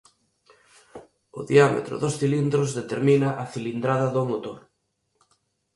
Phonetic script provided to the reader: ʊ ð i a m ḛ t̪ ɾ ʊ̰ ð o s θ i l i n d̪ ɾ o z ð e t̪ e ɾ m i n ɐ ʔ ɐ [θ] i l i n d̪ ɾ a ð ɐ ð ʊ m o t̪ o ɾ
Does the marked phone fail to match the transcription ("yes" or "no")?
no